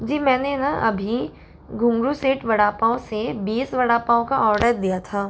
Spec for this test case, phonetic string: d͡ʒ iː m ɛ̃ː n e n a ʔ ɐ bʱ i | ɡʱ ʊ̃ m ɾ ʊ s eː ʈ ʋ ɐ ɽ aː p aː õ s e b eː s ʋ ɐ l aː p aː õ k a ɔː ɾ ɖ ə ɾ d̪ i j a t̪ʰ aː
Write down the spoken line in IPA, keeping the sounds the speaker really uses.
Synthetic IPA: d͡ʒ iː m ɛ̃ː n e n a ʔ ɐ bʱ i | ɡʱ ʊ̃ m ɾ u s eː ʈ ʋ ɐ ɽ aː p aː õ s e b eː s ʋ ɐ ɽ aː p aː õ k a ɔː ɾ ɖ ə ɾ d̪ i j a t̪ʰ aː